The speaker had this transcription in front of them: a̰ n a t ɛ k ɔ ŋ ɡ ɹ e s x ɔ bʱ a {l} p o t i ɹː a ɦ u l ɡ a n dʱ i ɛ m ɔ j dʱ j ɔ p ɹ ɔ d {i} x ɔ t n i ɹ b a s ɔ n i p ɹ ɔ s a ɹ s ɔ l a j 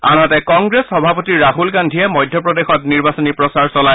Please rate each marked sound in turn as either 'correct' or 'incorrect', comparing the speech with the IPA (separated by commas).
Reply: incorrect, incorrect